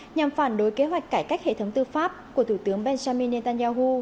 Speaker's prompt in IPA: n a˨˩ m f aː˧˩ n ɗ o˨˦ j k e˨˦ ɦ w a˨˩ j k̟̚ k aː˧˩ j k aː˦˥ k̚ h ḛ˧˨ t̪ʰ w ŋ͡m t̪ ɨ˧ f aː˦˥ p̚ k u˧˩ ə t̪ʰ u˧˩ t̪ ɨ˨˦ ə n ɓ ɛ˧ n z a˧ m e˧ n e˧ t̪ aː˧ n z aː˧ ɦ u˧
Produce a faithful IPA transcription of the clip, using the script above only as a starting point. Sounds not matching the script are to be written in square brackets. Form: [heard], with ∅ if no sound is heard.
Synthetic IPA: [ɲ] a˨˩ m f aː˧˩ n ɗ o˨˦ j k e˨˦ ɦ w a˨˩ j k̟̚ k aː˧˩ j k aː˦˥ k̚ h ḛ˧˨ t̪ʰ w ŋ͡m t̪ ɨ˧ f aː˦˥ p̚ k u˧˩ ə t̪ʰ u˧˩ t̪ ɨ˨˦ ə [ŋ] ɓ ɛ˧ n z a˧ m [i˧] n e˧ t̪ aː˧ n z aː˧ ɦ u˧